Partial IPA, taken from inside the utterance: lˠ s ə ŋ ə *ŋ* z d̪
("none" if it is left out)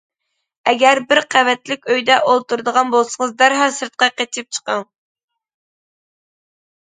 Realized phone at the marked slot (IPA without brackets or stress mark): none